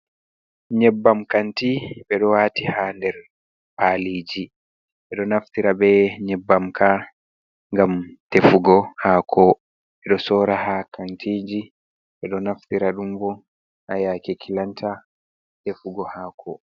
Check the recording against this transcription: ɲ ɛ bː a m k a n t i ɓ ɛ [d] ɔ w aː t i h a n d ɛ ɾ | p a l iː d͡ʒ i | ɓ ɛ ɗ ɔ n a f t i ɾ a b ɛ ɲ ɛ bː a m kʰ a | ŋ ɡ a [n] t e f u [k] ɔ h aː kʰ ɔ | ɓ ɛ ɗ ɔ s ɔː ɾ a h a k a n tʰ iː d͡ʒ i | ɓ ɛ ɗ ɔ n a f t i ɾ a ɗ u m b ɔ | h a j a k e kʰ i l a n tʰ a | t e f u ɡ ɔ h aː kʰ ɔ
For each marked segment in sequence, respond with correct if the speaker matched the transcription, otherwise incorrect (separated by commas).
incorrect, incorrect, incorrect